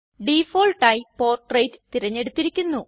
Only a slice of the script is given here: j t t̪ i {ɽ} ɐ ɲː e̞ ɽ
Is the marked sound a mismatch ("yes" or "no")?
yes